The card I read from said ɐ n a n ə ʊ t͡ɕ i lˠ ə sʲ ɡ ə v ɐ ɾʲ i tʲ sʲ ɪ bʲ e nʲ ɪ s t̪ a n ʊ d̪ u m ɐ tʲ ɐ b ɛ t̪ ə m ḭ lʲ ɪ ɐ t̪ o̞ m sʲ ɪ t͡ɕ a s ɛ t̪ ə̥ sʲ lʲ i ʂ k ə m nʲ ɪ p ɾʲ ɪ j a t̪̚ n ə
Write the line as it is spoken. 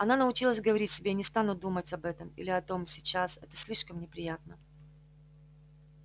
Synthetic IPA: ɐ n a n ə ʊ t͡ɕ i lˠ ə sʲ ɡ ə v ɐ ɾʲ i tʲ sʲ ɪ bʲ e nʲ ɪ s t̪ a n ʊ d̪ u m ə tʲ ɐ b ɛ t̪ ə m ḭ lʲ ɪ ɐ t̪ o̞ m sʲ ɪ t͡ɕ a s ɛ t̪ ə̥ sʲ lʲ i ʂ k ə m nʲ ɪ p ɾʲ ɪ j a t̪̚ n ə